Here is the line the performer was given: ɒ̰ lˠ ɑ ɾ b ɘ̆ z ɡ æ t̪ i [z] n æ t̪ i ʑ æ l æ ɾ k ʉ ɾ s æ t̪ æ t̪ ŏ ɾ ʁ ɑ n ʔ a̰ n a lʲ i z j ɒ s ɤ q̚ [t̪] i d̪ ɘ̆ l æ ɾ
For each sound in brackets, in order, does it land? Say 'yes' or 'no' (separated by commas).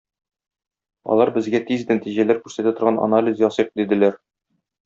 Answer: yes, no